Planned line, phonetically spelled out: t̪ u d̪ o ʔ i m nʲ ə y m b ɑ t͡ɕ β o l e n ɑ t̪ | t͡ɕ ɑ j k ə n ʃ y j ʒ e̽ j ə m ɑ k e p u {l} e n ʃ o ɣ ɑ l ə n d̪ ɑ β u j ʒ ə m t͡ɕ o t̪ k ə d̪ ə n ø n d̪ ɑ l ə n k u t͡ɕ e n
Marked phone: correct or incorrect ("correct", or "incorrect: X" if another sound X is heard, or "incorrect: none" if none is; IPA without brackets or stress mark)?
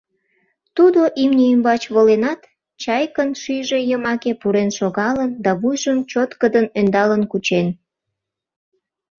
incorrect: ɾ